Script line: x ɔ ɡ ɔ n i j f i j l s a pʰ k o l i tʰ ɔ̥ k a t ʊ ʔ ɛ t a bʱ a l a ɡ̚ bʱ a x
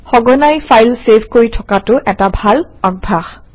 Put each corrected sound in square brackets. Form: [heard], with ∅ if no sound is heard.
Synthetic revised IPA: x ɔ ɡ ɔ n [a] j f [a] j l s [e] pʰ k o [ɹ] i tʰ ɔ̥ k a t ʊ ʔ ɛ t a bʱ a l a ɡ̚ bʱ a x